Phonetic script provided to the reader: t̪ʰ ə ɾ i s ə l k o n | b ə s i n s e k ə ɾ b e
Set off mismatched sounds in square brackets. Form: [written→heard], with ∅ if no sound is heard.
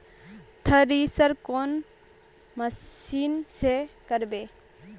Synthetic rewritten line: t̪ʰ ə ɾ i s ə [l→ɾ] k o n | [b→m] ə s i n s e k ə ɾ b e